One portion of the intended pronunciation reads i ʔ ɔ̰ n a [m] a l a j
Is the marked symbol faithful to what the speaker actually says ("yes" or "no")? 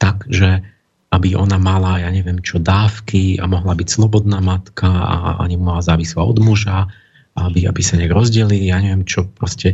yes